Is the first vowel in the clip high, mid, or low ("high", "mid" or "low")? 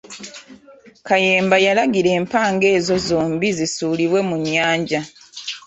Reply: low